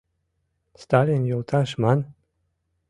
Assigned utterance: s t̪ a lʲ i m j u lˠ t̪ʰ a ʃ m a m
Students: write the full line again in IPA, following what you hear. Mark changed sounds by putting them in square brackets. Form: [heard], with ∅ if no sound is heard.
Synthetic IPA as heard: s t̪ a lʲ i [n] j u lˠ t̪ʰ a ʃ m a [n]